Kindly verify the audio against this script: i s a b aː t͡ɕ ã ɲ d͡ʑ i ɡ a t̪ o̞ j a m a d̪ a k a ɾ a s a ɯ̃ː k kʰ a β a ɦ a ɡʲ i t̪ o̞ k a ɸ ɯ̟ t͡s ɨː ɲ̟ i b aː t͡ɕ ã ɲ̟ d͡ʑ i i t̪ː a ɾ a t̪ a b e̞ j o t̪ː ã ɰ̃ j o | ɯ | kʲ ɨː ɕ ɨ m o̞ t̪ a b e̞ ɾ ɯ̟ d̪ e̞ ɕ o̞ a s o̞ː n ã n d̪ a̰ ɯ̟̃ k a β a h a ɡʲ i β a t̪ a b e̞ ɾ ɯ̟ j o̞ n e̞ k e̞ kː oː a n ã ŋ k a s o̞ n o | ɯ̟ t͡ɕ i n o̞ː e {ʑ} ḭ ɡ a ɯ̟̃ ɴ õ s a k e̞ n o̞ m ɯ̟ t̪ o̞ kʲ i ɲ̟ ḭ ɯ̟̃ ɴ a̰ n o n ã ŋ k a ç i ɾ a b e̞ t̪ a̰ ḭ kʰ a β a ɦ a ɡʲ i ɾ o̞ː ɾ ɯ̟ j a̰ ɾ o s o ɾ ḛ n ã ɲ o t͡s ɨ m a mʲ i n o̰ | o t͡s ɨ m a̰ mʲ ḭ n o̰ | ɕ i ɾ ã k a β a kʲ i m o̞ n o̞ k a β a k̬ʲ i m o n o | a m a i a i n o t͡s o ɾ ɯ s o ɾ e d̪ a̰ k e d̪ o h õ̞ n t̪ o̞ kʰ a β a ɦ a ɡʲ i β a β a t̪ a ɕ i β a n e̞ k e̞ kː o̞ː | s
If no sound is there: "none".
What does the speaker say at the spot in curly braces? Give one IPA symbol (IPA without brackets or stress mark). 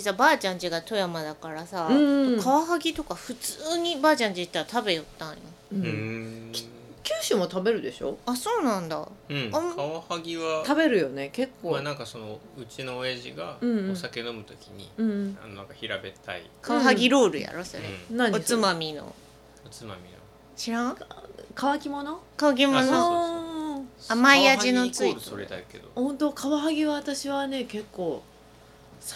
ʑ